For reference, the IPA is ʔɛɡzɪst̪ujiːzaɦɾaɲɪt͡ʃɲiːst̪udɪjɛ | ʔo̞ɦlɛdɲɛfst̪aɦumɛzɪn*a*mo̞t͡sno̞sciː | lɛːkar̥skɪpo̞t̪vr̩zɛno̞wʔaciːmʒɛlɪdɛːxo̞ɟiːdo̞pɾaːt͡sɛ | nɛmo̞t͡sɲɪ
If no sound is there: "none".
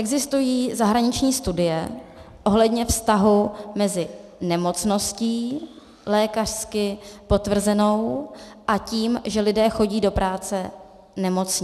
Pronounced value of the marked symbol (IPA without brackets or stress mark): ɛ